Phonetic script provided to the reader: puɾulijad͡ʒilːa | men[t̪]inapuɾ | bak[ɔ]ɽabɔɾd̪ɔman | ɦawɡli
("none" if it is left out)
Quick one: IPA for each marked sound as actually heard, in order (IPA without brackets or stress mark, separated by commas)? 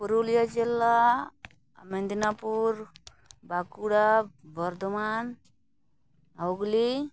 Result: d̪, u